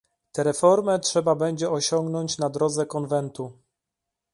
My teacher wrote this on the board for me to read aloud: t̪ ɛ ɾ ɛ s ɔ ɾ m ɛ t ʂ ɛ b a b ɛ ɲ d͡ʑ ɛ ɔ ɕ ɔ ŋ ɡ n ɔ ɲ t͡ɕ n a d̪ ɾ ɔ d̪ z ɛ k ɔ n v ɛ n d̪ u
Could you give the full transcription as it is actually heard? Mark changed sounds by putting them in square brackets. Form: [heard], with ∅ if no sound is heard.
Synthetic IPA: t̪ ɛ ɾ ɛ [f] ɔ ɾ m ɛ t ʂ ɛ b a b ɛ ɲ d͡ʑ ɛ ɔ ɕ ɔ ŋ ɡ n ɔ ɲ t͡ɕ n a d̪ ɾ ɔ d̪ z ɛ k ɔ n v ɛ n [t̪] u